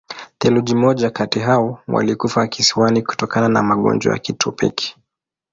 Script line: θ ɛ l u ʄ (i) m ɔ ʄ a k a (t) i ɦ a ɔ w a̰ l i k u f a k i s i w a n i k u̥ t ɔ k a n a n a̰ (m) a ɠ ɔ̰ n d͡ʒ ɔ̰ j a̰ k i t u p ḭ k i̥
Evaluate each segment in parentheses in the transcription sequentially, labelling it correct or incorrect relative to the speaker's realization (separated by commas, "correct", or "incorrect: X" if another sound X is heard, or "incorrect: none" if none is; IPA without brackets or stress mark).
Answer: correct, correct, correct